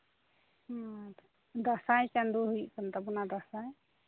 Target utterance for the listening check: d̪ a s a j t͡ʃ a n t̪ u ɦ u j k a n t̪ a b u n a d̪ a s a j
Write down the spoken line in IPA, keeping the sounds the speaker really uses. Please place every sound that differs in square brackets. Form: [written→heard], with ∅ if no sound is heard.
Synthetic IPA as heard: d̪ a s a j t͡ʃ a n [t̪→d̪] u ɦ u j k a n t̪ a b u n a d̪ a s a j